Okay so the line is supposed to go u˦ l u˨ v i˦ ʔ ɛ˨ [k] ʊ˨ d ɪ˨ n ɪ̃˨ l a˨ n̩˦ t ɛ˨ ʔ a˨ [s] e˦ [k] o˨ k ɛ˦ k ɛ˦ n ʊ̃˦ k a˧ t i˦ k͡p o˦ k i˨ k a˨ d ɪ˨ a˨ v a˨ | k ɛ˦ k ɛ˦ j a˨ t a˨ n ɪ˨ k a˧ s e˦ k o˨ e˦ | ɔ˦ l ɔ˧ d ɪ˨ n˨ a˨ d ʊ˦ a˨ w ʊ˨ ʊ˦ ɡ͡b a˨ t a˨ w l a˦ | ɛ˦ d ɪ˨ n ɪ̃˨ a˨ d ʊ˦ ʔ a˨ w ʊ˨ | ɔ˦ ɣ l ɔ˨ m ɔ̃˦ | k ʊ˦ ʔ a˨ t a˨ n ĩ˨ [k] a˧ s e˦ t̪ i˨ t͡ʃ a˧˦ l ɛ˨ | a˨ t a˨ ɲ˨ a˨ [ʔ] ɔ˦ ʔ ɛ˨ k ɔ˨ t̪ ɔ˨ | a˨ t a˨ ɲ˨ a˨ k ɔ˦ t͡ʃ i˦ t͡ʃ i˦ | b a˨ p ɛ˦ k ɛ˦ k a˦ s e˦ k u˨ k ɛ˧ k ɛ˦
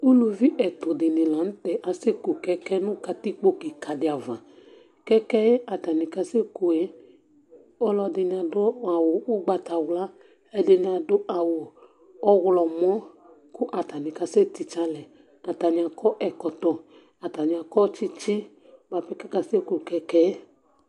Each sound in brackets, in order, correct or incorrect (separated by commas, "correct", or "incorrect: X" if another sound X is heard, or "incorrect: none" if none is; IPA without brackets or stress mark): incorrect: t, correct, correct, correct, incorrect: k